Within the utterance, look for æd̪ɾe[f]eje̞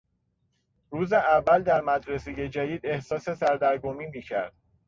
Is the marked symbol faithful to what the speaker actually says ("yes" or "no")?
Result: no